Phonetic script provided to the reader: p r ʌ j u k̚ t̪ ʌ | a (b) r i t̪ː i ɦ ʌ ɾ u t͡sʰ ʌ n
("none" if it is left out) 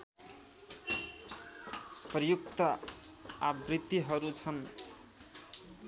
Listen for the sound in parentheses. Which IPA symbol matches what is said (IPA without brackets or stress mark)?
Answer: b